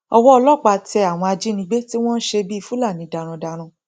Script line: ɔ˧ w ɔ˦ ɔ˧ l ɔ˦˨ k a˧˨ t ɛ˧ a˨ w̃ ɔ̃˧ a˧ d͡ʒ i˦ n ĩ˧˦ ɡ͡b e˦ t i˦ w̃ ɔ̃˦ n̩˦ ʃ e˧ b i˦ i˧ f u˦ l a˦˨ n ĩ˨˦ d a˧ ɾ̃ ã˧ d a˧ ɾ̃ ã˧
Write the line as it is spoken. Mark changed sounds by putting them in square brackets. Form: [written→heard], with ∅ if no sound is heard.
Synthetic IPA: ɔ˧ w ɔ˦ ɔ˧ l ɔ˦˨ [k→k͡p] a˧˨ t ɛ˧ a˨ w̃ ɔ̃˧ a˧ d͡ʒ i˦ n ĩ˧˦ ɡ͡b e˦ t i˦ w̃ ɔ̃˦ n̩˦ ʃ e˧ b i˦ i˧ f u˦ l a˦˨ n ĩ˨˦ d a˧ ɾ̃ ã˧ d a˧ ɾ̃ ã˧